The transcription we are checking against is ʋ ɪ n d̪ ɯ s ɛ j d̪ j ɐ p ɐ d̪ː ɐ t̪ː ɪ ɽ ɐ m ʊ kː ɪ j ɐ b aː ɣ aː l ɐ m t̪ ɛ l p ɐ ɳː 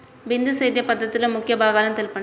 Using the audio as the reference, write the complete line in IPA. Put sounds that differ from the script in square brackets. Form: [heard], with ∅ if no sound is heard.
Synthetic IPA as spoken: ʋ ɪ n d̪ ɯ s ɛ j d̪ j ɐ p ɐ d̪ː ɐ t̪ː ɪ [l] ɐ m ʊ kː ɪ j ɐ b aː ɣ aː l ɐ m t̪ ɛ l p ɐ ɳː